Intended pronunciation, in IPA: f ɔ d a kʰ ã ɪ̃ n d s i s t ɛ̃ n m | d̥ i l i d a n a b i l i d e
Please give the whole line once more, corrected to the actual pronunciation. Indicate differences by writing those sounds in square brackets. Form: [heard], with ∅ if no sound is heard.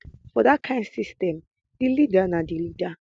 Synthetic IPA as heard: f ɔ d a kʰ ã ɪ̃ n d s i s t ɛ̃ [∅] m | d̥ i l i d a n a [d] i l i d [a]